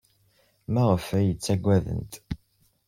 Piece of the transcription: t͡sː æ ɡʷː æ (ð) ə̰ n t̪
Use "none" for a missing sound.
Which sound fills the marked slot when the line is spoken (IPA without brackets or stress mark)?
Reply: ð